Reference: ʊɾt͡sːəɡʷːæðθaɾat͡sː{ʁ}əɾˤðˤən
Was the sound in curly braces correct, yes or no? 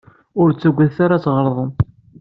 yes